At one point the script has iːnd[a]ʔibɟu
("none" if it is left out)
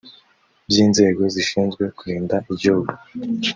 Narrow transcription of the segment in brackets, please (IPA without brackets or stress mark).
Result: a